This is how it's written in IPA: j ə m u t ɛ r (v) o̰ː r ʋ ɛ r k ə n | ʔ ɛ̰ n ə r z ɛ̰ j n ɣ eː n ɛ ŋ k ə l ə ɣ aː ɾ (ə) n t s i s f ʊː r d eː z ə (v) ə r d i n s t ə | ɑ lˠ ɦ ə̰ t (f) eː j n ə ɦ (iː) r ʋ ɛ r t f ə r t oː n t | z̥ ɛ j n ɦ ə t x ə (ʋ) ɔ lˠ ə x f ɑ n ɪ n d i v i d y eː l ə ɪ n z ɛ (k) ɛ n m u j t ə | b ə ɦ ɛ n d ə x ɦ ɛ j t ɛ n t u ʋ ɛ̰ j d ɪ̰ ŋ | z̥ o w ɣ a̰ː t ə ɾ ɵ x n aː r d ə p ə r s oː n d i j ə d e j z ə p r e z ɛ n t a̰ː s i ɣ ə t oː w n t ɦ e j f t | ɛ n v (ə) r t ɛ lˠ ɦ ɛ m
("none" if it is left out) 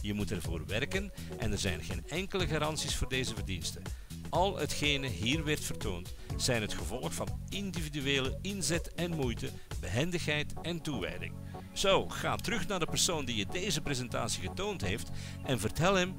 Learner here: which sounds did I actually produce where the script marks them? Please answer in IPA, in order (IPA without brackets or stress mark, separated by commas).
v, ɑ, v, x, iː, v, t, ə